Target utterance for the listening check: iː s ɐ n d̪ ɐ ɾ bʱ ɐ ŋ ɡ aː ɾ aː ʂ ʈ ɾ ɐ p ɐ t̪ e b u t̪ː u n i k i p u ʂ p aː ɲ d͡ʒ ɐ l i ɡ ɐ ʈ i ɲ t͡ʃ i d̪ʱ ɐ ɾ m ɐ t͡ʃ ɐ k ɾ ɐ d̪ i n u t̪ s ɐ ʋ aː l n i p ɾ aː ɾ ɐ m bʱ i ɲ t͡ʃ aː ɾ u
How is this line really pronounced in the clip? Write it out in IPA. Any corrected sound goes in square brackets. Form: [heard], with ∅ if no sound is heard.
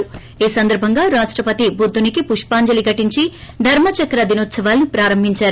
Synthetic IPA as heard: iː s ɐ n d̪ ɐ ɾ bʱ ɐ ŋ ɡ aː ɾ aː ʂ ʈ ɾ ɐ p ɐ t̪ [i] b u [d̪ː] u n i k i p u ʂ p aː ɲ d͡ʒ ɐ l i ɡ ɐ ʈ i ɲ t͡ʃ i d̪ʱ ɐ ɾ m ɐ t͡ʃ ɐ k ɾ ɐ d̪ i n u t̪ s ɐ ʋ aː l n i p ɾ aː ɾ ɐ m bʱ i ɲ t͡ʃ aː ɾ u